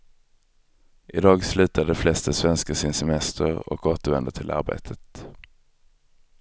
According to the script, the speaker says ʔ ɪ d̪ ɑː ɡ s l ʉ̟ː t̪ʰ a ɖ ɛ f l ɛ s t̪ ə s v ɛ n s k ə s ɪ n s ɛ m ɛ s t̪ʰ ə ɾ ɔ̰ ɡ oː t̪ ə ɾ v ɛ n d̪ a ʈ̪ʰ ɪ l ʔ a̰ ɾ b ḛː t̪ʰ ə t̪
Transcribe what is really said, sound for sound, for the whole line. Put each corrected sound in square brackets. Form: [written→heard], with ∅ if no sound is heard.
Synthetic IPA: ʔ ɪ d̪ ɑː ɡ s l ʉ̟ː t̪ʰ a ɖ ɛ f l ɛ s t̪ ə s v ɛ n s k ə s ɪ n s ɛ m ɛ s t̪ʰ ə ɾ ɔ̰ [ɡ→k] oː t̪ ə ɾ v ɛ n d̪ [a→ə] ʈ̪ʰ ɪ l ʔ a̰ ɾ b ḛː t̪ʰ ə t̪